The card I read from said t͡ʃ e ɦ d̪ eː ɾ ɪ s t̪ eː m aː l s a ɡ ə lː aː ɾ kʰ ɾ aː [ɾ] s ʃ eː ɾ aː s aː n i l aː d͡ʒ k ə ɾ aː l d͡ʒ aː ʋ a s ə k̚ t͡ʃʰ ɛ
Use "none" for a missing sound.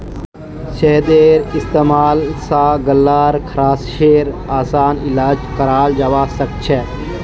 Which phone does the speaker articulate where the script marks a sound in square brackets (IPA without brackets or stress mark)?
none